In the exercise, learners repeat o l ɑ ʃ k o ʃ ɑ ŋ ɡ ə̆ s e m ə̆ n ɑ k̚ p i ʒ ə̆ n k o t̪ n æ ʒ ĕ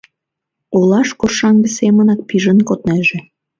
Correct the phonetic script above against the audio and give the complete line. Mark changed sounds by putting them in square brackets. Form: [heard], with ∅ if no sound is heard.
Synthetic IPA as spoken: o l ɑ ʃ k o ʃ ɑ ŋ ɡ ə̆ s e m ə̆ n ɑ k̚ p i ʒ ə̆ n k o t̪ n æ ʒ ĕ

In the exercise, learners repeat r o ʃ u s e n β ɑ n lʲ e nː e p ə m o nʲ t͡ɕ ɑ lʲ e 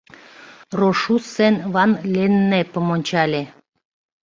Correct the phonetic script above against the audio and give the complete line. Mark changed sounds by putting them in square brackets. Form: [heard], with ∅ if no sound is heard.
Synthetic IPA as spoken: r o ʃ u s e n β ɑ n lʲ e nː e p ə m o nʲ t͡ɕ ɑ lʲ e

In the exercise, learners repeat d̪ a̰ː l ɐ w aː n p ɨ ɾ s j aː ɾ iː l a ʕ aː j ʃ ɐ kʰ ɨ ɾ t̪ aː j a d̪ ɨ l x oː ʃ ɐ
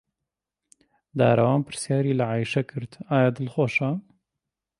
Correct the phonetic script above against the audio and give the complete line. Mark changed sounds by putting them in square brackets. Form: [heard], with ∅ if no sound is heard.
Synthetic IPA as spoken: d̪ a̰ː [ɾ] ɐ w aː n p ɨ ɾ s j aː ɾ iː l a ʕ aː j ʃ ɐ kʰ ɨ ɾ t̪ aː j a d̪ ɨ l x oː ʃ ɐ

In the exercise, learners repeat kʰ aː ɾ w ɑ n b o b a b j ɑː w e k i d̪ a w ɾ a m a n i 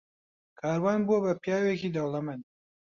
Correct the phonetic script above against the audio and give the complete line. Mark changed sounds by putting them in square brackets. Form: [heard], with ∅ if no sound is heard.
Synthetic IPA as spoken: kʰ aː ɾ w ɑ n b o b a [p] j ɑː w e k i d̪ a w [l] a m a n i

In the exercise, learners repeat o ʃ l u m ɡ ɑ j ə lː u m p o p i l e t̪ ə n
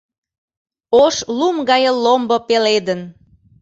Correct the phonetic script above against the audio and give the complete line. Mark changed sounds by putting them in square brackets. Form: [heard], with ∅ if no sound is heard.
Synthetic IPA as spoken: o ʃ l u m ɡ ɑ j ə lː [o] m [b] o p [e] l e [d̪] ə n

